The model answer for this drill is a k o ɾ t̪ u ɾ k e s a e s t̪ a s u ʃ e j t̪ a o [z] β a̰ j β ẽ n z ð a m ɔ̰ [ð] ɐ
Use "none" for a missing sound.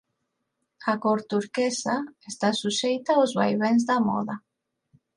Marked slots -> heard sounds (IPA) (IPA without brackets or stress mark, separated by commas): z, ð